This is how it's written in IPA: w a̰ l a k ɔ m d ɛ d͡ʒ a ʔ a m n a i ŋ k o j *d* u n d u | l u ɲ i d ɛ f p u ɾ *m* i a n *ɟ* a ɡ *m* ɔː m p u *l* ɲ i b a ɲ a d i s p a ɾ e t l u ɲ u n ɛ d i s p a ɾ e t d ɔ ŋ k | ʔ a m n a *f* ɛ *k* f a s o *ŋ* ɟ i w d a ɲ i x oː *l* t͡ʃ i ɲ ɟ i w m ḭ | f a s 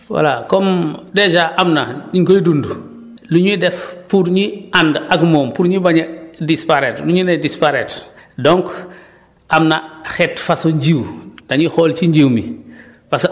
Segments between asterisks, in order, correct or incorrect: correct, incorrect: ɲ, incorrect: d, correct, incorrect: ɾ, incorrect: x, incorrect: t, incorrect: ɲ, correct

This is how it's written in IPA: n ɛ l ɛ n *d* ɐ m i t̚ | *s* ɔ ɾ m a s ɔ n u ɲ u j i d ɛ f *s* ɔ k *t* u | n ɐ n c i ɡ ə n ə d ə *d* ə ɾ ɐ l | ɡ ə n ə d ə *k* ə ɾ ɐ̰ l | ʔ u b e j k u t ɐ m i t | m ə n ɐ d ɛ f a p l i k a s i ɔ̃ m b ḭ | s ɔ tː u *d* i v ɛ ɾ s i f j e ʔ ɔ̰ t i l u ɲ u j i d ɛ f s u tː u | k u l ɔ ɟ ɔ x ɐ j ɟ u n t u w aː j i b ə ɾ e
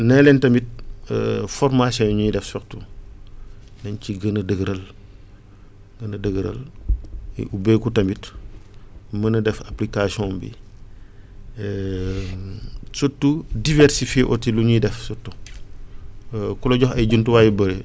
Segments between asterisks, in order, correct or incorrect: incorrect: t, incorrect: f, correct, correct, incorrect: ɡ, incorrect: ɡ, correct

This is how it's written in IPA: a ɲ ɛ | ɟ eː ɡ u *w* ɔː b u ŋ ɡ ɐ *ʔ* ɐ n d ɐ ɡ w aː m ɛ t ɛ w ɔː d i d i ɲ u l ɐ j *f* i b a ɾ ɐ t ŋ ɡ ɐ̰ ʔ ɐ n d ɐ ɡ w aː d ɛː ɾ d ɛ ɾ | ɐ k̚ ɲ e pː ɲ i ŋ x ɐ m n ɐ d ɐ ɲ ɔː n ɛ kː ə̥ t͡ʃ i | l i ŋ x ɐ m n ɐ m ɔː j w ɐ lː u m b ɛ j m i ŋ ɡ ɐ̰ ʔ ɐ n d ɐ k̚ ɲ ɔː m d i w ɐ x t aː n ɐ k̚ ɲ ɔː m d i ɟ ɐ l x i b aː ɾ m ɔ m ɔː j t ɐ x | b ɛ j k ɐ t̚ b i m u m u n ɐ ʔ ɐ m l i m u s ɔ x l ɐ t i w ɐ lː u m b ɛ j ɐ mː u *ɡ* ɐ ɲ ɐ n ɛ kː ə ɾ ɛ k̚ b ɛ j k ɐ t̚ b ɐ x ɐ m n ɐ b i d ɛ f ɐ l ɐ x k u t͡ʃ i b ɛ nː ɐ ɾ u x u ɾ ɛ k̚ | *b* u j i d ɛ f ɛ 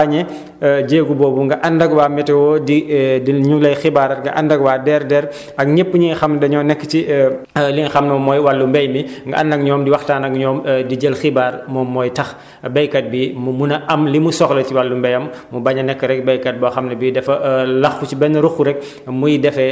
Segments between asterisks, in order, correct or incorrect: incorrect: b, correct, incorrect: x, incorrect: b, incorrect: m

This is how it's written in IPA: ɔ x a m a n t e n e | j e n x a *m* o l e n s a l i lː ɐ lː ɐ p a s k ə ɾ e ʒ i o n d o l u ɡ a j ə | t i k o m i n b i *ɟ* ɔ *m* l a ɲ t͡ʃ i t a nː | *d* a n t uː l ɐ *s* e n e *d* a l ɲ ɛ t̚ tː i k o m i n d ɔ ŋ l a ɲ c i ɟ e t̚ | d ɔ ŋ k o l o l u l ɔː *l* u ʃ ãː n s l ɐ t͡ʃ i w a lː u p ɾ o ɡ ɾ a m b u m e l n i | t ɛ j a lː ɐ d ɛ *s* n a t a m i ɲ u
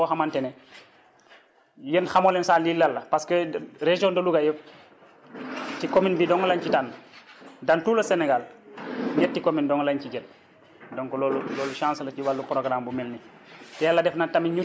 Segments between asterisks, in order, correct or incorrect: correct, incorrect: d, incorrect: ŋ, correct, correct, incorrect: ɡ, correct, incorrect: f

